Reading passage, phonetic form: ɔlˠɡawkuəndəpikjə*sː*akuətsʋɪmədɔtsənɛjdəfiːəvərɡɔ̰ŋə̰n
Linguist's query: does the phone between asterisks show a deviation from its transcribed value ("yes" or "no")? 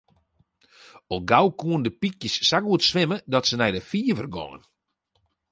no